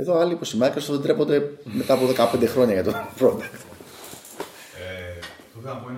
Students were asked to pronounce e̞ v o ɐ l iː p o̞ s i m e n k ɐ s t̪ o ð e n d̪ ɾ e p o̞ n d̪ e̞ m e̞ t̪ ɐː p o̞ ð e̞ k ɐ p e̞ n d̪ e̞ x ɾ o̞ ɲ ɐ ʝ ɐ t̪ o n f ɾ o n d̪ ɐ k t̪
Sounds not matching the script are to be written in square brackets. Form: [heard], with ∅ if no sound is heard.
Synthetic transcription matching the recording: e̞ [ð] o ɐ l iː p o̞ s i m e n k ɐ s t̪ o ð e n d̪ ɾ e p o̞ n d̪ e̞ m e̞ t̪ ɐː p o̞ ð e̞ k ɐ p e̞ n d̪ e̞ x ɾ o̞ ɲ ɐ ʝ ɐ t̪ o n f ɾ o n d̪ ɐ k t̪